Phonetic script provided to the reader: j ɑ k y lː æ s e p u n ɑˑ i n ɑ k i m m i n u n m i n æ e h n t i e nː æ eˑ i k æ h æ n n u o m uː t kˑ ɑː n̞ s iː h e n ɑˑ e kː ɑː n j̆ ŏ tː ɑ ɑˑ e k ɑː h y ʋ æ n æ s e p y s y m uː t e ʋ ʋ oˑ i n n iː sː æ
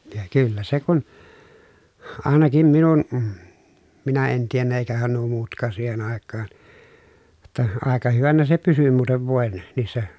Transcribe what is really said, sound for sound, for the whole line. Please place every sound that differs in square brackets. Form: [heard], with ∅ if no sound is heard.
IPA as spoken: j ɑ k y lː æ s e [k] u n ɑˑ [e] n ɑ k i m m i n u n m i n æ e [∅] n t i e nː æ eˑ i k æ h æ n n u o m uː t kˑ ɑː n̞ s iː h e n ɑˑ e kː ɑː n j̆ ŏ tː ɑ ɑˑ e k [ɑ] h y ʋ æ n æ s e p y s y m uː t e ʋ ʋ oˑ [e] n n iː sː æ